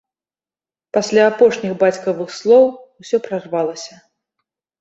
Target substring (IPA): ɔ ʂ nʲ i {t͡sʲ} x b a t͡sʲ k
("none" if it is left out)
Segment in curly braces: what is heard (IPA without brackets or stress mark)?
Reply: none